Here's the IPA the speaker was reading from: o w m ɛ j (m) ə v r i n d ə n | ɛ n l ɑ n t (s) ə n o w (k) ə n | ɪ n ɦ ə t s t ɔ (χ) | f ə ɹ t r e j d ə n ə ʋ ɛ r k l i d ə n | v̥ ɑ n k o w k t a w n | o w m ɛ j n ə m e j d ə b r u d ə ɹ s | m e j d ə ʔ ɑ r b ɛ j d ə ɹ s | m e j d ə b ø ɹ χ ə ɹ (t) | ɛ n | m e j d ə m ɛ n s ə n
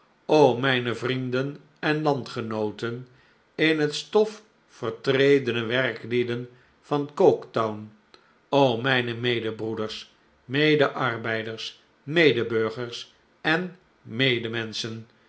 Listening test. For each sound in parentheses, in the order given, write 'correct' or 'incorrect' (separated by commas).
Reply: incorrect, incorrect, incorrect, incorrect, incorrect